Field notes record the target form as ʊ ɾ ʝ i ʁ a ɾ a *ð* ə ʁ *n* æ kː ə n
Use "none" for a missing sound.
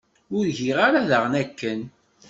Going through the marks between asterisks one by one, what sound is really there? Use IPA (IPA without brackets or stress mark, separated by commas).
ð, n